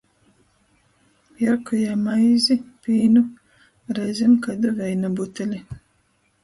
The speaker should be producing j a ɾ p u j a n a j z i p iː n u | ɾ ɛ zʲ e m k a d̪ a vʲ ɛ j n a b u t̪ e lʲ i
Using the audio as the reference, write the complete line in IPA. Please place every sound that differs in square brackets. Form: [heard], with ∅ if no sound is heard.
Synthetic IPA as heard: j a ɾ [k] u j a [m] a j z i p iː n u | ɾ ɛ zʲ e m k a d̪ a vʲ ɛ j n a b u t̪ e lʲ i